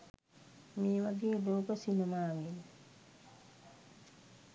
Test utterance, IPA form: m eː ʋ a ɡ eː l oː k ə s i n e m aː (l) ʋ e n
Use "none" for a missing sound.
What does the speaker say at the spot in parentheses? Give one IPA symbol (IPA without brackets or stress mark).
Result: none